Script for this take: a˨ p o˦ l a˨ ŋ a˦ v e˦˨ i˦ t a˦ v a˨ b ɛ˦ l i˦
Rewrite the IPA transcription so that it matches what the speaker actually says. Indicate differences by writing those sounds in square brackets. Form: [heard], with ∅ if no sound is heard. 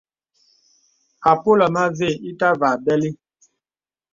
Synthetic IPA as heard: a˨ p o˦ l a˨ [m] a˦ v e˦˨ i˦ t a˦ v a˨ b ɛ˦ l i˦